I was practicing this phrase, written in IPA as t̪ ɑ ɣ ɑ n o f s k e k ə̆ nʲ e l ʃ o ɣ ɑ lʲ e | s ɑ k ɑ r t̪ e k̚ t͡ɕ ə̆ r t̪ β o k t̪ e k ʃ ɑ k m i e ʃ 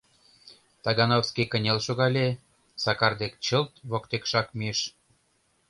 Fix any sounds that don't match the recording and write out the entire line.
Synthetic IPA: t̪ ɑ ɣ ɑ n o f s k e k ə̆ nʲ e l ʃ o ɣ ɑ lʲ e | s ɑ k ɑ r d̪ e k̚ t͡ɕ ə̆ l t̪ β o k t̪ e k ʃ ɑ k m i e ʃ